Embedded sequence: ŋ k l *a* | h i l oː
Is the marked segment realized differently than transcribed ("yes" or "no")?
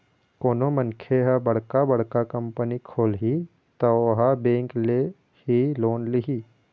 yes